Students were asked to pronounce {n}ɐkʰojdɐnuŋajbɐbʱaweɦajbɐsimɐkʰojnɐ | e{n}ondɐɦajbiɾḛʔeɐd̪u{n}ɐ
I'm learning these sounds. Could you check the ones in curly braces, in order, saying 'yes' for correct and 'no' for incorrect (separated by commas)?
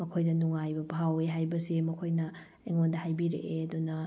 no, no, yes